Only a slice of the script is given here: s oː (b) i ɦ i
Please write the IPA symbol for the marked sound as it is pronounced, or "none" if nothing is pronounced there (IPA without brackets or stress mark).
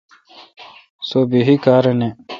b